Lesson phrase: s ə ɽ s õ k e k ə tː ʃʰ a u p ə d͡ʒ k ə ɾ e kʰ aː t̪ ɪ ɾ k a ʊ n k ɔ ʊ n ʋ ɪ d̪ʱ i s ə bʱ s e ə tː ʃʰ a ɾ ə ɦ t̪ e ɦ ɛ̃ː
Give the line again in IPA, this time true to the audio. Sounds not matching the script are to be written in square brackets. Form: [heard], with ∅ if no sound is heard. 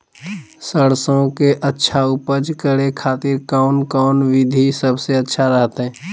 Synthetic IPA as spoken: s ə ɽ s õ k e [ʔ] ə tː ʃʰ a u p ə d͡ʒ k ə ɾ e kʰ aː t̪ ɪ ɾ k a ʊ n k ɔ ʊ n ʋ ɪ d̪ʱ i s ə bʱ s e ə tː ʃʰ a ɾ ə ɦ t̪ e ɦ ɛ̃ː

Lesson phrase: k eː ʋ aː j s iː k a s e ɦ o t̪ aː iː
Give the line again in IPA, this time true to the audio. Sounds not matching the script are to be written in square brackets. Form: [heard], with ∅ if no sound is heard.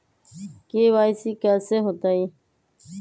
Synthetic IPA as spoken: k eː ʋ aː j s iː k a s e ɦ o t̪ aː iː

